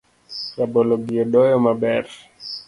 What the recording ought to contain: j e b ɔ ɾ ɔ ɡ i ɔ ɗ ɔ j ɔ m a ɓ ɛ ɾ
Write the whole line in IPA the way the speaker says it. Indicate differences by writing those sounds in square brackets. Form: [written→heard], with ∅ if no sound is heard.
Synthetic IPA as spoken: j [e→a] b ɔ [ɾ→l] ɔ ɡ i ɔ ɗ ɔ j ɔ m a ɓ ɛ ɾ

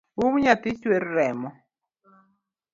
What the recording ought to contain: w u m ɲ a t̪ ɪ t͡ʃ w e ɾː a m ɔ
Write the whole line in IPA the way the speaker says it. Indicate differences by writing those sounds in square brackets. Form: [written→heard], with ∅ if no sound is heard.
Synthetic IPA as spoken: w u m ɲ a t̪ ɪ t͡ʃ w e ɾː [a→ɛ] m ɔ

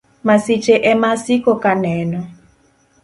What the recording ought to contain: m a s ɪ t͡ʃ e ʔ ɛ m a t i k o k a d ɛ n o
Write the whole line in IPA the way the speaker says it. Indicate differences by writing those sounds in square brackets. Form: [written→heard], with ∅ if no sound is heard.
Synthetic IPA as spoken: m a s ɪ t͡ʃ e ʔ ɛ m a [t→s] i k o k a [d→n] ɛ n [o→ɔ]

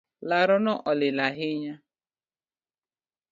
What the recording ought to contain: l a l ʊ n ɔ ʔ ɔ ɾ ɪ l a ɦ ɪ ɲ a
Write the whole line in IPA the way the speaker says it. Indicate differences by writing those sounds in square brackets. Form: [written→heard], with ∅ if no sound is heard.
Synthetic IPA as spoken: l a [l→ɾ] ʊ n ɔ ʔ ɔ [ɾ→l] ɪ l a ɦ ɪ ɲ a

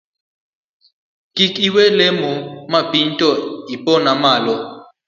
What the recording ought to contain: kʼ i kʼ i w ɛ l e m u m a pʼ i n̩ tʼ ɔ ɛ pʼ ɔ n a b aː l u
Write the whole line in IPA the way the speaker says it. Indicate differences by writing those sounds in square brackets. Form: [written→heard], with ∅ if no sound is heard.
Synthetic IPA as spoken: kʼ i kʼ i w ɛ l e m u m a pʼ i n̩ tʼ ɔ [ɛ→i] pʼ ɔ n a [b→m] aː l [u→ɔ]

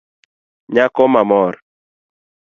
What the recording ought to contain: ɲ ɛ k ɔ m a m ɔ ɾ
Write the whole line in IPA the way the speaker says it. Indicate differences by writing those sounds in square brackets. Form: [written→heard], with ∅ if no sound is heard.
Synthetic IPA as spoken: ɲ [ɛ→a] k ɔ m a m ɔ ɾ

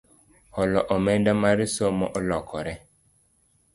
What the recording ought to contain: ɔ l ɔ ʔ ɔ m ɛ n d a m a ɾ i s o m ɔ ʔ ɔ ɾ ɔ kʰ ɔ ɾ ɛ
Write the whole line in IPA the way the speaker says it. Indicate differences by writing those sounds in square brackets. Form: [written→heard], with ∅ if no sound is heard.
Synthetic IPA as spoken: ɔ l ɔ ʔ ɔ m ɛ n d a m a ɾ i s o m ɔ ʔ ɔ [ɾ→l] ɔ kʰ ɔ ɾ ɛ

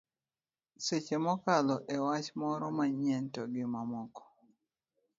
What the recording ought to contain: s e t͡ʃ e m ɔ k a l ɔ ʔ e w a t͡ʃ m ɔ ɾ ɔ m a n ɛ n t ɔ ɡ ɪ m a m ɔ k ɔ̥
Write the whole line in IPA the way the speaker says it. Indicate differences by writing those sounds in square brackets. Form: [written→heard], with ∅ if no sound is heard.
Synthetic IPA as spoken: s e t͡ʃ e m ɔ k a l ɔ ʔ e w a t͡ʃ m ɔ ɾ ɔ m a [n→ɲ] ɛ n t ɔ ɡ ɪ m a m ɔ k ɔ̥

